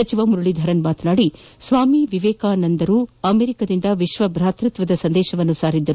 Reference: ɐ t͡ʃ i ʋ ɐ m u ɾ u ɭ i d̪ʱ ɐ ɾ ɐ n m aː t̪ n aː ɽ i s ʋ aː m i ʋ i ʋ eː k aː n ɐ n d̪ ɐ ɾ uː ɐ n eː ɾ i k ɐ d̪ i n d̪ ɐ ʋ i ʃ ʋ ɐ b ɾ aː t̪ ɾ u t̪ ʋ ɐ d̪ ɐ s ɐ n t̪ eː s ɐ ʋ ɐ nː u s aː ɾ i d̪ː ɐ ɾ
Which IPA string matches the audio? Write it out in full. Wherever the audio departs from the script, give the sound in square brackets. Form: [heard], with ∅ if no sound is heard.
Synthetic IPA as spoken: ɐ t͡ʃ i ʋ ɐ m u ɾ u ɭ i d̪ʱ ɐ ɾ ɐ n m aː t̪ n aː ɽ i s ʋ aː m i ʋ i ʋ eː k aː n ɐ n d̪ ɐ ɾ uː ɐ [m] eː ɾ i k ɐ d̪ i n d̪ ɐ ʋ i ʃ ʋ ɐ b ɾ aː t̪ ɾ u t̪ ʋ ɐ d̪ ɐ s ɐ n [d̪] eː [ʃ] ɐ ʋ ɐ nː u s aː ɾ i d̪ː ɐ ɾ